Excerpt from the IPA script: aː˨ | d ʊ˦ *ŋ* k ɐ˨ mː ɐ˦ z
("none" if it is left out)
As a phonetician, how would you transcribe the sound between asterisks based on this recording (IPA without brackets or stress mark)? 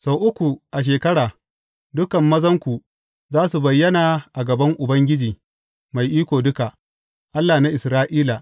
none